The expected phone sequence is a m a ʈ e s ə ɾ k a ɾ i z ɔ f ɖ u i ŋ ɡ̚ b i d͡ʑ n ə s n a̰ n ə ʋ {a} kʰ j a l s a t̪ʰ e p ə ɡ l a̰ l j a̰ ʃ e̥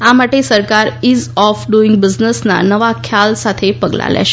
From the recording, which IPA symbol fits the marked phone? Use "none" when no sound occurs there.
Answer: a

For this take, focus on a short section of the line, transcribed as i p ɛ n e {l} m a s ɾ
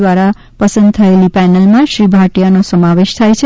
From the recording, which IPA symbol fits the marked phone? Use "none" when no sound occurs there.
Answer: l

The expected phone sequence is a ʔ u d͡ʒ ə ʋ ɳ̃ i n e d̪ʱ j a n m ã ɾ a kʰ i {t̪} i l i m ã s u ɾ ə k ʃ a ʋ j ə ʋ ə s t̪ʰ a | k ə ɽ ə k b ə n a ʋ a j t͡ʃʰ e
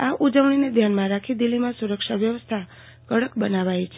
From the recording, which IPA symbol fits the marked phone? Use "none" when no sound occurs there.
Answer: d̪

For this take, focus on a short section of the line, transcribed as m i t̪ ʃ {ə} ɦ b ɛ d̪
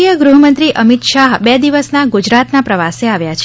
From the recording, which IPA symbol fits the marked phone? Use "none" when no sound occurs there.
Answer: a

